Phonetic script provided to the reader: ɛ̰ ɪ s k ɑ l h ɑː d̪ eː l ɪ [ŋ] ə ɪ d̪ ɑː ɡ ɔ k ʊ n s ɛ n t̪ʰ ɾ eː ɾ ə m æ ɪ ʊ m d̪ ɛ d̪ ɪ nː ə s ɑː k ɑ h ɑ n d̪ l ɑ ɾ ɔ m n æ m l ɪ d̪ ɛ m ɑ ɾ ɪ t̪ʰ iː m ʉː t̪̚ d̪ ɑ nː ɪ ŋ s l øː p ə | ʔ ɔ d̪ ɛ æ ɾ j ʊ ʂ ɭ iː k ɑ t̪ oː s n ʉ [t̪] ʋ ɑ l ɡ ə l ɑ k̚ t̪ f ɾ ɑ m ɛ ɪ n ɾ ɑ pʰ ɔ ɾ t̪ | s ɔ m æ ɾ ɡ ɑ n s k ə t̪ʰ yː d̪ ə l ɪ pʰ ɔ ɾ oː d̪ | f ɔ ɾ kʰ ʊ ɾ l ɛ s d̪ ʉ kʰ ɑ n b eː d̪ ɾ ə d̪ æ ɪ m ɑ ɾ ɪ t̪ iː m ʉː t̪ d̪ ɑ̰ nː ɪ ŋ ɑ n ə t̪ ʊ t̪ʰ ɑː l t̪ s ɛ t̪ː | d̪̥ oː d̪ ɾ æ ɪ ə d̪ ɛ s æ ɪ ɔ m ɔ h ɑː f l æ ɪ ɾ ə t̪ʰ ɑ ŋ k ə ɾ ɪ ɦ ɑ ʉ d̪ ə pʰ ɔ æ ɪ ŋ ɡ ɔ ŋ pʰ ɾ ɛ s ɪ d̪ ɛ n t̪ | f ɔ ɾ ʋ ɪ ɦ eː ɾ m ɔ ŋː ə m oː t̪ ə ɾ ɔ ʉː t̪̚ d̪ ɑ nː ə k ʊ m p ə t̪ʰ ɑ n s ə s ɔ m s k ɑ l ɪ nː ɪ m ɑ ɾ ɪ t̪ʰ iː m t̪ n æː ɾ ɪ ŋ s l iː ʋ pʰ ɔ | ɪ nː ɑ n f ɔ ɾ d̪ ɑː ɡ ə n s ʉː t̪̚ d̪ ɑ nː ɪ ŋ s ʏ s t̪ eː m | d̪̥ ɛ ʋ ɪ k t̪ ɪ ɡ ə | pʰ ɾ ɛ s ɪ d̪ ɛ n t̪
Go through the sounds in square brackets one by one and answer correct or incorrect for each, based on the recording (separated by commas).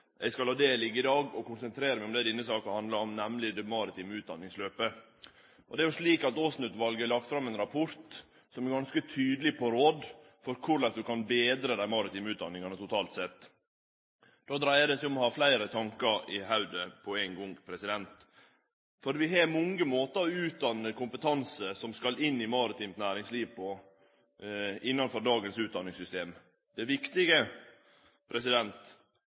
incorrect, correct